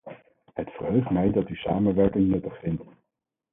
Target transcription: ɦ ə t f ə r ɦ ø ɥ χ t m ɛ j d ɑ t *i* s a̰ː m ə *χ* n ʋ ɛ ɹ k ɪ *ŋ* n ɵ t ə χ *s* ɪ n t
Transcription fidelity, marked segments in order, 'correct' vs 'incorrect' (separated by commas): incorrect, incorrect, correct, incorrect